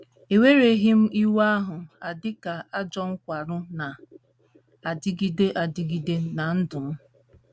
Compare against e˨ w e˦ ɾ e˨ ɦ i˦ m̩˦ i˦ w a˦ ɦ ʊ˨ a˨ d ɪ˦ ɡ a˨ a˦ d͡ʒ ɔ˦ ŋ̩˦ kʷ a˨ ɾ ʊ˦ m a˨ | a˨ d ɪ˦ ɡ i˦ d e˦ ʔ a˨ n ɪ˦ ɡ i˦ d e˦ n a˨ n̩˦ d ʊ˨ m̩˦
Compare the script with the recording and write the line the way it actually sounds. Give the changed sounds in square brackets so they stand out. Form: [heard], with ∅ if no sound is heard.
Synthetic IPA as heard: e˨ w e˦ ɾ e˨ ɦ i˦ m̩˦ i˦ w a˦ ɦ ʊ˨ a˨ d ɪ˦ [k] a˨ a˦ d͡ʒ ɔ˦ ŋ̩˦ kʷ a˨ ɾ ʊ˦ [n] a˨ | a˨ d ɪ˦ ɡ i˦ d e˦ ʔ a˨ [d] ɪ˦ ɡ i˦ d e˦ n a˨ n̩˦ d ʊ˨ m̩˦